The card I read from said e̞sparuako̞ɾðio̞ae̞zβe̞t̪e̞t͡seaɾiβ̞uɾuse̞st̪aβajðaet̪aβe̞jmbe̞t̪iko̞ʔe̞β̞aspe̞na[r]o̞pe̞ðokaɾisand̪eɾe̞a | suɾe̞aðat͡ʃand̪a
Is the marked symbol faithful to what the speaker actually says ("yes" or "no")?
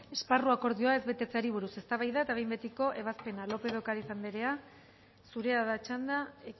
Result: no